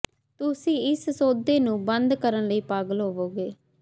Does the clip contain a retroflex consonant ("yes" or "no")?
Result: no